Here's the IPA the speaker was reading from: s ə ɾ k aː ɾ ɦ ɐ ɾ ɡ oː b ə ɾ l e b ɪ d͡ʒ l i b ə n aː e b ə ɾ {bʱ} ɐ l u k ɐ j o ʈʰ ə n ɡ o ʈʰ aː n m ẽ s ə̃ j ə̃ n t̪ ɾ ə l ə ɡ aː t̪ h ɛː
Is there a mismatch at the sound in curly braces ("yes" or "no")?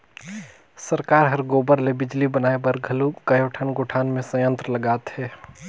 yes